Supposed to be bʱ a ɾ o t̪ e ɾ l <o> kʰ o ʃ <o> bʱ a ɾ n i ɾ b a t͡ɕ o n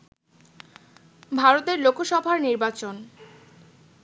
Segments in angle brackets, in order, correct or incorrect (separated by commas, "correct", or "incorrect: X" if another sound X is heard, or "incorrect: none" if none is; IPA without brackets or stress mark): correct, incorrect: ɔ